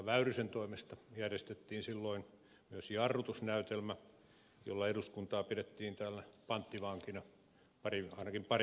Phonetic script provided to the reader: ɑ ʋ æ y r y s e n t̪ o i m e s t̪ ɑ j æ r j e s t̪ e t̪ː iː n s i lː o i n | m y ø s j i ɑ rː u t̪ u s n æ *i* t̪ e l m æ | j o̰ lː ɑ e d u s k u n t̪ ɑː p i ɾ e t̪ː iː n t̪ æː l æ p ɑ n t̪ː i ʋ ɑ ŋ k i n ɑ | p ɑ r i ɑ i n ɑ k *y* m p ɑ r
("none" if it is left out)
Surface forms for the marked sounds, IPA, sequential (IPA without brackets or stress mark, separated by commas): y, i